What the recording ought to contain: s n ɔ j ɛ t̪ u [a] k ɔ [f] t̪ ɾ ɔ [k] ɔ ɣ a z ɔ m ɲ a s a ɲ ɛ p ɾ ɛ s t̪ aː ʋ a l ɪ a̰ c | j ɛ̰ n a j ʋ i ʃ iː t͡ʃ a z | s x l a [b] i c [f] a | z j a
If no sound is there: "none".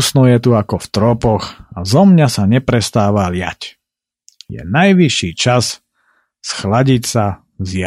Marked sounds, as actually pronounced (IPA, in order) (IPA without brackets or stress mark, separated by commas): a, f, p, ɟ, s